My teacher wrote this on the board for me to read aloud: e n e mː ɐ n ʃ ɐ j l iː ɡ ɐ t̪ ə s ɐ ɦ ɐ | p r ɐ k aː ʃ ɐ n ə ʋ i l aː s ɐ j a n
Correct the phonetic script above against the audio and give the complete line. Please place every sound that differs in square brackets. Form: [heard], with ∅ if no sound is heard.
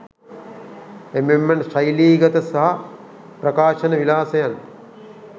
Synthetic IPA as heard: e [m] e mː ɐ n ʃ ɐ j l iː ɡ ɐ t̪ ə s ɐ ɦ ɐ | p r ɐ k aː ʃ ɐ n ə ʋ i l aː s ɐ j a n